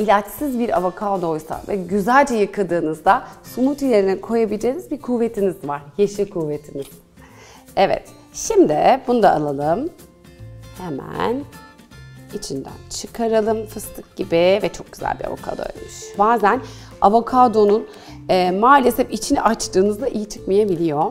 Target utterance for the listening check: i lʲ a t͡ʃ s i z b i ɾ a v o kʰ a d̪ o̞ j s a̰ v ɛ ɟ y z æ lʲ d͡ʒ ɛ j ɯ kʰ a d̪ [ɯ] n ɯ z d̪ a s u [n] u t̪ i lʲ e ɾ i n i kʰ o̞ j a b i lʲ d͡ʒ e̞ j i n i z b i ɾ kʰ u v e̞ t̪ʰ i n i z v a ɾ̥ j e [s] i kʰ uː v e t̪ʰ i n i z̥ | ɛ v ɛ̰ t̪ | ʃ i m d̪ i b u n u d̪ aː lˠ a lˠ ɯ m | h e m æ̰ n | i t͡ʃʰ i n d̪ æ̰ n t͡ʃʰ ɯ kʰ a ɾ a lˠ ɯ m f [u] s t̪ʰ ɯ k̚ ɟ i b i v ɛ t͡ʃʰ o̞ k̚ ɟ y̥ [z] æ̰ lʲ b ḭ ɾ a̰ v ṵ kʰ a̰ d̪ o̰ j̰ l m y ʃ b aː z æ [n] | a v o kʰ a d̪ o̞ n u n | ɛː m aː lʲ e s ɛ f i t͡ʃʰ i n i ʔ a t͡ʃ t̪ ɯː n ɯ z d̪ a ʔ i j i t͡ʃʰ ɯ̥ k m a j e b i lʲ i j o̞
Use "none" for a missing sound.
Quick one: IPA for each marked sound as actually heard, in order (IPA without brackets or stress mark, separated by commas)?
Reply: ɯː, m, ʃ, ɯ, z, n